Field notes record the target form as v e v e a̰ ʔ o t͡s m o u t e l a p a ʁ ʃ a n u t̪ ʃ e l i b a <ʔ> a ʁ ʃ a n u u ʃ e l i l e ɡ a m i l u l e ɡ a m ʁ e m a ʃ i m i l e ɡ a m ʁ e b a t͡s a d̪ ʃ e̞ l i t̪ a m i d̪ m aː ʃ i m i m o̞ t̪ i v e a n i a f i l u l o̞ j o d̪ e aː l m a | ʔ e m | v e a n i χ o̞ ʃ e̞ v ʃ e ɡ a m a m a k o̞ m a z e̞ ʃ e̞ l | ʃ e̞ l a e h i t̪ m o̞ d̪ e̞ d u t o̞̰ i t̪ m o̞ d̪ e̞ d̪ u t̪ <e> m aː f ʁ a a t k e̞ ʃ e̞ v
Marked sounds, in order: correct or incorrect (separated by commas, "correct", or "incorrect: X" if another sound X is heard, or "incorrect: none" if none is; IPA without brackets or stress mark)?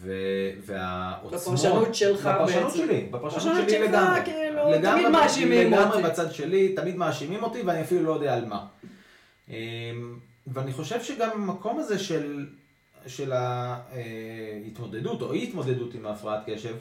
incorrect: p, incorrect: i